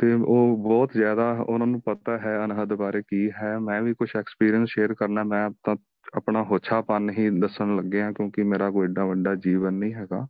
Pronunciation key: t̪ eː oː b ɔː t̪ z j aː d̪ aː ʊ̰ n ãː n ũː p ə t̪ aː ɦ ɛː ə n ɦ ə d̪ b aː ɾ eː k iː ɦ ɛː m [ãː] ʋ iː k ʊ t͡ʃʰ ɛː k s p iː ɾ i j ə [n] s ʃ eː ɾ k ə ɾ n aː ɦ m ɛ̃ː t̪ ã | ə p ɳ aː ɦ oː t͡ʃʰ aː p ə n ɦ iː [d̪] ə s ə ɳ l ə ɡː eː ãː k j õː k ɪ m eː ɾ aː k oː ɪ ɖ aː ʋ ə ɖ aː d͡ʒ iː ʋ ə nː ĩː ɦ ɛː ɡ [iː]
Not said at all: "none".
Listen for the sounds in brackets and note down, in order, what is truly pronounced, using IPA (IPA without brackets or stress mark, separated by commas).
ɛ̃ː, n, d̪, aː